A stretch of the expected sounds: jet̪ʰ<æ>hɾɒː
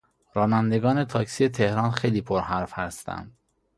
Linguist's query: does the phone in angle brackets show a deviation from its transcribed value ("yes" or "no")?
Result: yes